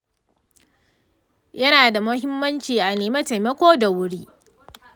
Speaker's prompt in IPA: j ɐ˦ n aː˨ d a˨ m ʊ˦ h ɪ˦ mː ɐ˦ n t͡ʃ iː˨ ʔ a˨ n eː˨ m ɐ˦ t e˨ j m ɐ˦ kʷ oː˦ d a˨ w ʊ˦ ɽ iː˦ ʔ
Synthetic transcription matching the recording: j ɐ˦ n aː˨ d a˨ m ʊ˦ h ɪ˦ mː ɐ˦ n t͡ʃ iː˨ ʔ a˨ n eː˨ m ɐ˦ t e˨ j m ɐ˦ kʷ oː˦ d a˨ w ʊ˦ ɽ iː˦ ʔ